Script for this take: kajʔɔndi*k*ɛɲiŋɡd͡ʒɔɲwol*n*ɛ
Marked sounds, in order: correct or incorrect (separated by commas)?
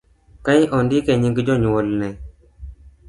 correct, correct